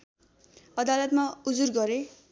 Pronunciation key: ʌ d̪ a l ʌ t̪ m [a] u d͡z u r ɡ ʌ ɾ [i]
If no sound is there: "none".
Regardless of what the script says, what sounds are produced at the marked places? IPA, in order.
a, e

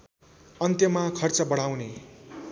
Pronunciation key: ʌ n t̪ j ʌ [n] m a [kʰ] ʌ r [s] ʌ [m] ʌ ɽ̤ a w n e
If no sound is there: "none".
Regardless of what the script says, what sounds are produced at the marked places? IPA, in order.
none, kʰ, t͡s, b

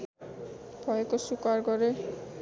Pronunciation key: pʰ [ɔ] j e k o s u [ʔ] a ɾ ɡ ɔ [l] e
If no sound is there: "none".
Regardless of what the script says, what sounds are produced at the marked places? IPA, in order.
ɔ, k, ɾ

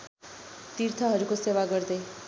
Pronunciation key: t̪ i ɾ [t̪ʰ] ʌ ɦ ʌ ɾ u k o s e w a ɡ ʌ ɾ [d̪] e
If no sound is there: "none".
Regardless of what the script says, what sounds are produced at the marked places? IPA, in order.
t̪ʰ, d̪

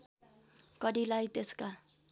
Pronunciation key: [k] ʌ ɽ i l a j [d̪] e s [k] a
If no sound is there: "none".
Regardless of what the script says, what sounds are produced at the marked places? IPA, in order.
k, t̪, k

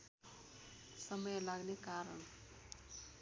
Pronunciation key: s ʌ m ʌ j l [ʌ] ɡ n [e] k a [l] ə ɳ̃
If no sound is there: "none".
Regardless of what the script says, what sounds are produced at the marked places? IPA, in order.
a, e, ɾ

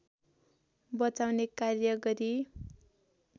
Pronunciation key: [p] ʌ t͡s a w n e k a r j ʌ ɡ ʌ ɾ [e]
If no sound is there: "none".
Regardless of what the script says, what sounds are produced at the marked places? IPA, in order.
b, i

